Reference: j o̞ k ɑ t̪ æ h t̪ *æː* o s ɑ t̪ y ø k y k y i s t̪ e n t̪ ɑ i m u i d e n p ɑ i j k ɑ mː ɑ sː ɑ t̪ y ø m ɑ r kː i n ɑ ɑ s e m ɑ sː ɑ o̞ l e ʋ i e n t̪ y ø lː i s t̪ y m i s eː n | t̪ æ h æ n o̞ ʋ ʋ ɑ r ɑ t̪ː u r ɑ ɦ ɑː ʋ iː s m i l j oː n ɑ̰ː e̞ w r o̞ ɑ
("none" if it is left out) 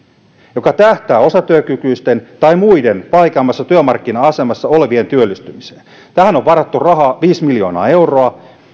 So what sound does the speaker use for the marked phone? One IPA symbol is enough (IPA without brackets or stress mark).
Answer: æː